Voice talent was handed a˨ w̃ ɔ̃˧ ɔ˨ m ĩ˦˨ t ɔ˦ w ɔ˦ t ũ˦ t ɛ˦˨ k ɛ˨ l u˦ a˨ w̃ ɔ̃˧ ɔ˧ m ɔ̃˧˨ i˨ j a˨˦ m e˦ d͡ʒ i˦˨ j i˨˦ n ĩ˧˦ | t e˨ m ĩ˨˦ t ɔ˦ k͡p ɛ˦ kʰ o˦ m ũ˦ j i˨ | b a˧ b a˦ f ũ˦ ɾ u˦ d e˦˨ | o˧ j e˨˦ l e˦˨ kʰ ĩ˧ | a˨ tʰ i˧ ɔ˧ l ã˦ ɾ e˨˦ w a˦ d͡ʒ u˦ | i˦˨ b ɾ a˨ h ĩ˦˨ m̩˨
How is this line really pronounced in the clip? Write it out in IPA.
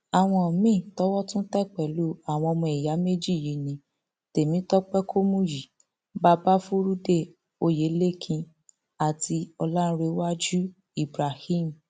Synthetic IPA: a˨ w̃ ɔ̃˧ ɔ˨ m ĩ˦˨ t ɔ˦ w ɔ˦ t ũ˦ t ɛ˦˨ k͡p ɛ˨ l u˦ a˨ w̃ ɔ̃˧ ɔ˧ m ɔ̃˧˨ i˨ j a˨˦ m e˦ d͡ʒ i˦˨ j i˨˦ n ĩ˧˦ | t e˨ m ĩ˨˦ t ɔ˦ k͡p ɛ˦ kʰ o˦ m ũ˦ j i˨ | b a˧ b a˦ f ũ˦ ɾ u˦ d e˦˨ | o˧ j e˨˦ l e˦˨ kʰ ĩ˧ | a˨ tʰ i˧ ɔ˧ l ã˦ ɾ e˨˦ w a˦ d͡ʒ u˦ | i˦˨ b ɾ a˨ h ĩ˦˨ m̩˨